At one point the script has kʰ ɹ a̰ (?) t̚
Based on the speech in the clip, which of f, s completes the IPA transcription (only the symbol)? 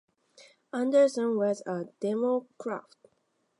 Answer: f